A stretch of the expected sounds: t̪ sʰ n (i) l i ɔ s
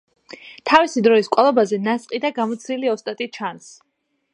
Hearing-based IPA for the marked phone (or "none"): i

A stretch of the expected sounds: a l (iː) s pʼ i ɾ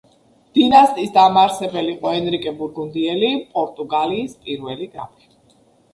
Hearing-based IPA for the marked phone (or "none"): iː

